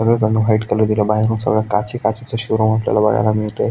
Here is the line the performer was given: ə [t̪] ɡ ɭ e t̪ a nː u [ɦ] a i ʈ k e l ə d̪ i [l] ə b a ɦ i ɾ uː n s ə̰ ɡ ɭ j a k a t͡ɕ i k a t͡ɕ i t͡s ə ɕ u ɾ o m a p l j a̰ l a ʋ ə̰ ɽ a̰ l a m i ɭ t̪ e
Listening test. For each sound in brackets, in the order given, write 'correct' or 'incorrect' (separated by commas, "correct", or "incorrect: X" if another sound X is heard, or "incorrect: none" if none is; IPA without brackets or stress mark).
incorrect: none, correct, correct